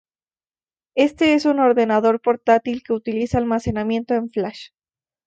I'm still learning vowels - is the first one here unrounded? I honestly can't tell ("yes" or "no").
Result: yes